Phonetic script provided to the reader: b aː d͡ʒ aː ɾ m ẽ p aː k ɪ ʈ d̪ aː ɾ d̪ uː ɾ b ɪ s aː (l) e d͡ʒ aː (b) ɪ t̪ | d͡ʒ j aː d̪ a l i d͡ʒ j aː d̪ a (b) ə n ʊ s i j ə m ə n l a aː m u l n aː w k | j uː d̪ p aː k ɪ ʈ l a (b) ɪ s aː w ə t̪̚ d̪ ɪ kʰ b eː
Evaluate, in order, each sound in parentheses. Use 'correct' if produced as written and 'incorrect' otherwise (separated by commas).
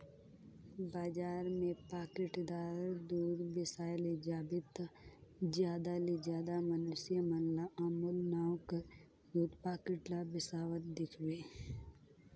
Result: correct, correct, incorrect, correct